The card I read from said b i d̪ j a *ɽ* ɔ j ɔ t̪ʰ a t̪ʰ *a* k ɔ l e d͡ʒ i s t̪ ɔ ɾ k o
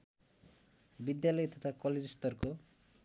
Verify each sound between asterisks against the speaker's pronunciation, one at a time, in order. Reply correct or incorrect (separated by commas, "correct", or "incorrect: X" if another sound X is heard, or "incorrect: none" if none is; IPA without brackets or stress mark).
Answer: incorrect: l, correct